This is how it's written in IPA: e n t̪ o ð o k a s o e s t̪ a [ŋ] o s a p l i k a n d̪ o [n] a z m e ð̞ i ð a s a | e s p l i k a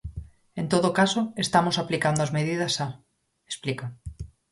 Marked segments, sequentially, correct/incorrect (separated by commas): incorrect, incorrect